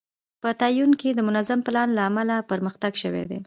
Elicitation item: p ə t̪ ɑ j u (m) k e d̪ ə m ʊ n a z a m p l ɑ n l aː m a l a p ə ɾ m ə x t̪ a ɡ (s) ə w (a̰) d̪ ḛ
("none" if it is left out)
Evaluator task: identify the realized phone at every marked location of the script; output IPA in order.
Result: n, ʃ, ḛ

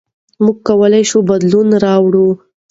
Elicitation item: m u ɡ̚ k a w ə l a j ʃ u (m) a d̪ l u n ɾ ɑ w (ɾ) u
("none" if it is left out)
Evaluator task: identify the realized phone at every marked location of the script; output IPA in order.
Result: b, ɽ

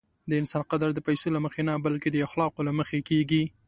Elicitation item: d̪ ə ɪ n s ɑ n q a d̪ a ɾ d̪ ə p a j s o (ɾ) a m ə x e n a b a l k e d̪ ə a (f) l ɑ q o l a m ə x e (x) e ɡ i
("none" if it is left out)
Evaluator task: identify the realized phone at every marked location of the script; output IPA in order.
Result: l, x, k

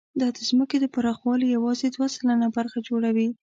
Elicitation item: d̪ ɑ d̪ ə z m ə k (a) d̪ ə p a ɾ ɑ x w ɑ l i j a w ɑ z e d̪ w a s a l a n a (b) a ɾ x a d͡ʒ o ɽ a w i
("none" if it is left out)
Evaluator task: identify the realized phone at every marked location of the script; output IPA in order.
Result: e, b

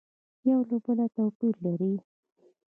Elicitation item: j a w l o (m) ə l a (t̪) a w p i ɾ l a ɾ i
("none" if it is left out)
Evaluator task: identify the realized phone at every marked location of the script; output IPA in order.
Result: b, t̪

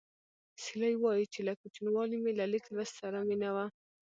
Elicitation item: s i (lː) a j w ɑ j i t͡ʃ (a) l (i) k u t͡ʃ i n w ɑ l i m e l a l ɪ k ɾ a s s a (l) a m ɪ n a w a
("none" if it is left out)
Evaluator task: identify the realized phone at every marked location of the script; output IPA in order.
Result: l, e, a, ɾ

